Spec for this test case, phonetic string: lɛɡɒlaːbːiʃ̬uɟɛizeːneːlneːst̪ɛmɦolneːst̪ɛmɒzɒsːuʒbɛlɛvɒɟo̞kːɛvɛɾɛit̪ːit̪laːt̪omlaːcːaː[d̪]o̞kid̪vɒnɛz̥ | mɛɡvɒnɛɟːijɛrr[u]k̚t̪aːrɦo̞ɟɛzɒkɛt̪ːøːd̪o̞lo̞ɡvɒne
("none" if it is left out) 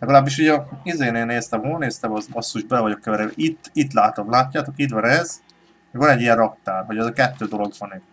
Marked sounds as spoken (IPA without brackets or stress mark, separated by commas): t̪, ɒ